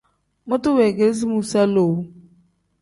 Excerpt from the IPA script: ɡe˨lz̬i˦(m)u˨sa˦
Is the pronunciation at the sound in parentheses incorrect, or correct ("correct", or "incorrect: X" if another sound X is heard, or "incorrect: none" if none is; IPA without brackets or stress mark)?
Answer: correct